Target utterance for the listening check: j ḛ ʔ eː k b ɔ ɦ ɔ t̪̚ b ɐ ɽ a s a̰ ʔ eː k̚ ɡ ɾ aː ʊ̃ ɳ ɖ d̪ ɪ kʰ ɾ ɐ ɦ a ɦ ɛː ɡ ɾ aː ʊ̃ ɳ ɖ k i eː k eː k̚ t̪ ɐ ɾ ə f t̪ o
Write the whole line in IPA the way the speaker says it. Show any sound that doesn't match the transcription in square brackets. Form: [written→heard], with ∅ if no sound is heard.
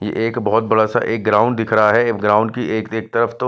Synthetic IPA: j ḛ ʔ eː k b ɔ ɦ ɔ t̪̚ b ɐ ɽ a s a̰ ʔ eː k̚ ɡ ɾ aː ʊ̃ ɳ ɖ d̪ ɪ kʰ ɾ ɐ ɦ a ɦ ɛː ɡ ɾ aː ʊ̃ ɳ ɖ k i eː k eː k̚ t̪ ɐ ɾ ə f t̪ o